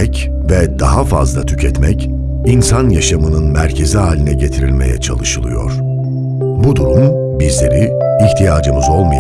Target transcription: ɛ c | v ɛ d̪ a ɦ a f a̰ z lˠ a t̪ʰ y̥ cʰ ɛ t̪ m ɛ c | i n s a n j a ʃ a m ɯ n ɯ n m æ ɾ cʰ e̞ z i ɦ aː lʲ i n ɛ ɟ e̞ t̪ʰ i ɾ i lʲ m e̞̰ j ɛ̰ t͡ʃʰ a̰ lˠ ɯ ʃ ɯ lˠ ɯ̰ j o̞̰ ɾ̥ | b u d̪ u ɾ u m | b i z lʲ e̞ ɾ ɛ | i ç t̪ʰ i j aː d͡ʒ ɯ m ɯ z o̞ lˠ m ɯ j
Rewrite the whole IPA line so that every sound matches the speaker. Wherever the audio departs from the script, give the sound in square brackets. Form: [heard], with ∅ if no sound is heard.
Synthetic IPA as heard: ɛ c | v ɛ d̪ a ɦ a f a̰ z lˠ a t̪ʰ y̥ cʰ ɛ t̪ m ɛ c | i n s a n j a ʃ a m ɯ n ɯ n m æ ɾ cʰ e̞ z i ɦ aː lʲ i n ɛ ɟ e̞ t̪ʰ i ɾ i lʲ m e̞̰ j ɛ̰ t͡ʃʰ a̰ lˠ ɯ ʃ ɯ lˠ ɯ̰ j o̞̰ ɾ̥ | b u d̪ u ɾ u m | b i z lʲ e̞ ɾ [i] | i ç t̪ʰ i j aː d͡ʒ ɯ m ɯ z o̞ lˠ m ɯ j